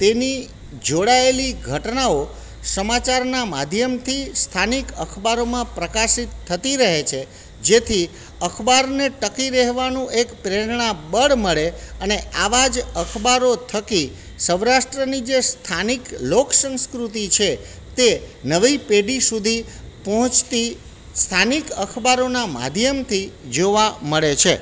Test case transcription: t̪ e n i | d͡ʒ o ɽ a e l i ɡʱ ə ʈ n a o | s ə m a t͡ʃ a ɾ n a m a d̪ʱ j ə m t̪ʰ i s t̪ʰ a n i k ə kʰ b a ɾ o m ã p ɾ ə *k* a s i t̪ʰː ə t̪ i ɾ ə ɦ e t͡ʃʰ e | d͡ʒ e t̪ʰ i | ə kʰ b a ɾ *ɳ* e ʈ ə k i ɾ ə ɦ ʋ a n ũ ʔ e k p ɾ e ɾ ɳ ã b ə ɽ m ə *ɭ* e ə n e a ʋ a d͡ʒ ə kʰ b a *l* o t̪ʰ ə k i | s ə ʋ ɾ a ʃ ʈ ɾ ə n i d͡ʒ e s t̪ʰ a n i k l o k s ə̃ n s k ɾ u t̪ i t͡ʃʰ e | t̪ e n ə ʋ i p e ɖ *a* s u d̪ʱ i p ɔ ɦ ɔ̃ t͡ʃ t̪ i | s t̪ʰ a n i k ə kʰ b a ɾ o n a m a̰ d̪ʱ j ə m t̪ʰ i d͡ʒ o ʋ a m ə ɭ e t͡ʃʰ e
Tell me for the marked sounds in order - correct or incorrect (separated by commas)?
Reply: correct, incorrect, correct, incorrect, incorrect